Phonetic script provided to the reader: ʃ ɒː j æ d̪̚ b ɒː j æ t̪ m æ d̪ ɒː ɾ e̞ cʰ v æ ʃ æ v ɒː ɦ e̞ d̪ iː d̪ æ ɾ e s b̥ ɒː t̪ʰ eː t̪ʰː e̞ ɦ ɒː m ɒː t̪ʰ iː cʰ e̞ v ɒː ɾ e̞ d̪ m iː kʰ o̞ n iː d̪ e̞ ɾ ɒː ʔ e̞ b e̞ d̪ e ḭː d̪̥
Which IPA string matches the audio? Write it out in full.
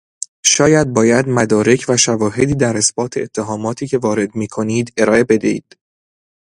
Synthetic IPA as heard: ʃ ɒː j æ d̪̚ b ɒː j æ d̪ m æ d̪ ɒː ɾ e̞ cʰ v æ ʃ æ v ɒː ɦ e̞ d̪ iː d̪ æ ɾ e s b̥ ɒː t̪ʰ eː t̪ʰː e̞ ɦ ɒː m ɒː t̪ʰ iː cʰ e̞ v ɒː ɾ e̞ d̪ m iː kʰ o̞ n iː d̪ e̞ ɾ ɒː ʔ e̞ b e̞ d̪ e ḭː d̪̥